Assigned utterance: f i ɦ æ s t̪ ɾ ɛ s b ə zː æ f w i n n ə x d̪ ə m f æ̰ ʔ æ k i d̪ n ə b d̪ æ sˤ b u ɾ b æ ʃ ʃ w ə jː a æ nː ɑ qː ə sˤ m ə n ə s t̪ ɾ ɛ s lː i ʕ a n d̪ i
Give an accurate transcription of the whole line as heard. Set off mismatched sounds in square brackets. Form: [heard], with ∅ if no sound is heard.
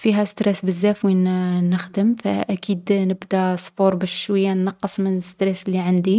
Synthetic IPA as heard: f i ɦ æ s t̪ ɾ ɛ s b ə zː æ f w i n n ə x d̪ ə m f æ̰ ʔ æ k i d̪ n ə b d̪ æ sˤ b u ɾ b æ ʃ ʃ w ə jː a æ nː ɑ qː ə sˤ m ə n ə s t̪ ɾ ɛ s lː i ʕ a n d̪ i